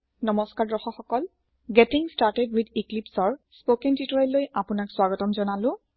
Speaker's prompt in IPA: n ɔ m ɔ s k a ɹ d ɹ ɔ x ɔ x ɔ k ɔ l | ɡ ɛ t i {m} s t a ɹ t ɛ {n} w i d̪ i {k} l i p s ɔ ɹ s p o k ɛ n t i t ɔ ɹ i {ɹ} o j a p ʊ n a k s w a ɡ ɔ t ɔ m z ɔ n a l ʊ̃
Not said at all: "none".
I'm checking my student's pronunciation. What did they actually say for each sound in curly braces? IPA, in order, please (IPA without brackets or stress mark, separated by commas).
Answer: ŋ, d, k, l